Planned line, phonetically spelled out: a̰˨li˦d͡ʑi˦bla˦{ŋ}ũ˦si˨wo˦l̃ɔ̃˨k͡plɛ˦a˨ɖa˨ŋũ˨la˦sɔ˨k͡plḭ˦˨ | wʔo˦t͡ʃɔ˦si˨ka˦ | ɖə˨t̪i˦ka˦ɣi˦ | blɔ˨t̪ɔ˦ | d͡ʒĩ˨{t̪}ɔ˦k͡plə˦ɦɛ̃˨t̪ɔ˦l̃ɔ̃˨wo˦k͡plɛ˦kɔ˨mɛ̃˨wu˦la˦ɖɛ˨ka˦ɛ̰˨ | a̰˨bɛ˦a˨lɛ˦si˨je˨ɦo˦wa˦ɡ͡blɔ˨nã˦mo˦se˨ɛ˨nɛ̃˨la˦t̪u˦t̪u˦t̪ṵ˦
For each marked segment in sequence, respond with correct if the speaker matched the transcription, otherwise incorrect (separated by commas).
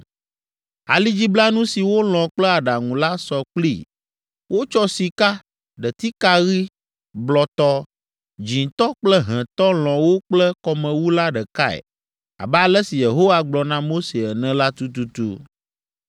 incorrect, correct